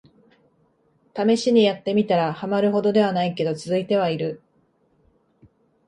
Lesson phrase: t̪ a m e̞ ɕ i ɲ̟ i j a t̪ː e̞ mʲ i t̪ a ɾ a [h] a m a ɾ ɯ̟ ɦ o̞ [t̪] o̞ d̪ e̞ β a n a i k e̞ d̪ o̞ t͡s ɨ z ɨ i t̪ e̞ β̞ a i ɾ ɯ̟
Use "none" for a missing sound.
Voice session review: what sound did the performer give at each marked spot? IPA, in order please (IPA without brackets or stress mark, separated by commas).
h, d̪